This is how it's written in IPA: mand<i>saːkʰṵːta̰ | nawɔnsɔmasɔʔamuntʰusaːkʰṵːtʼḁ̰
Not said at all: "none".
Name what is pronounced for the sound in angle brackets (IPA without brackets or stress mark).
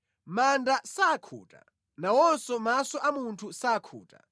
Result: a